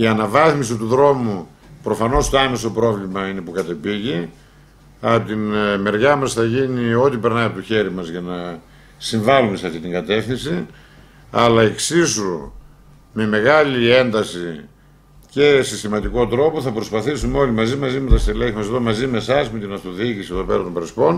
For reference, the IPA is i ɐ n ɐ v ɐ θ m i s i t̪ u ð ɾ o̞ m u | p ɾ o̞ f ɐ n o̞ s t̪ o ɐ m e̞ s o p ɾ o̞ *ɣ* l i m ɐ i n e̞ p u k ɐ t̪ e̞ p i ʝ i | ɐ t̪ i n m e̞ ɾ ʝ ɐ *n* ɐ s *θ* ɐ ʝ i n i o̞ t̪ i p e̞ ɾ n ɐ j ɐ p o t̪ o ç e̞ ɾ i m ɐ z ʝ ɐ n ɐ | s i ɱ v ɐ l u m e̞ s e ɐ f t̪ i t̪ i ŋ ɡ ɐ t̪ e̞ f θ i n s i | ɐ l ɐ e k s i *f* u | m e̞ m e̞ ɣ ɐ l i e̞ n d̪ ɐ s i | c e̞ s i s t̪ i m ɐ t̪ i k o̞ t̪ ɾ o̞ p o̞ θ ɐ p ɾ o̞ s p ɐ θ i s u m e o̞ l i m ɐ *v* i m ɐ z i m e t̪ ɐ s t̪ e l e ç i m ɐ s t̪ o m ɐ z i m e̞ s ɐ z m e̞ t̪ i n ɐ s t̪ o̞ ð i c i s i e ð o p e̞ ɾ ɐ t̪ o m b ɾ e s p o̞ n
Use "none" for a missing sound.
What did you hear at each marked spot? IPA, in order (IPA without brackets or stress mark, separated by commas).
v, m, θ, s, z